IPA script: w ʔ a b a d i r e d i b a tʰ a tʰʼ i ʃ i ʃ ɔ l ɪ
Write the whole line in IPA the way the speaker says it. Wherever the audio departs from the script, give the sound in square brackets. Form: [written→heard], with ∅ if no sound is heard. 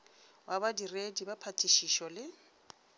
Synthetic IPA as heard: w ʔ a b a d i r e d i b a [tʰ→pʰ] a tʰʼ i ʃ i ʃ ɔ l ɪ